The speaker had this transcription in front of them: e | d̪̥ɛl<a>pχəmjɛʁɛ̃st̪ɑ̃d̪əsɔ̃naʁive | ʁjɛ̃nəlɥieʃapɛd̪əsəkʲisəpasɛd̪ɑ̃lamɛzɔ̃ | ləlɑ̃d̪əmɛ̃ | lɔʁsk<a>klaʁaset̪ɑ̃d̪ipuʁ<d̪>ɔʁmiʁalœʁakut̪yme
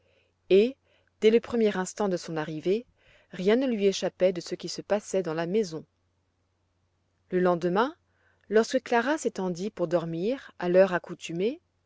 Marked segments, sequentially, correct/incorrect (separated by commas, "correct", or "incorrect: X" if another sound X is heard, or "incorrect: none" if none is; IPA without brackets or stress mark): incorrect: ə, incorrect: ə, correct